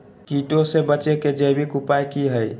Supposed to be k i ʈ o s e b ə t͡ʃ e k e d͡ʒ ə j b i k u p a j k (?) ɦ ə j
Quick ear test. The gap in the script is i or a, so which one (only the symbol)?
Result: i